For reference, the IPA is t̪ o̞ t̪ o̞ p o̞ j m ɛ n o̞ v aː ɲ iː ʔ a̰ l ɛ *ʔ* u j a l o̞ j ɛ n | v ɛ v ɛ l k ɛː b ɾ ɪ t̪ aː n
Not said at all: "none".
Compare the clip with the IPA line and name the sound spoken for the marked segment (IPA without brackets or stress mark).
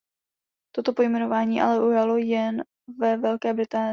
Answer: ʔ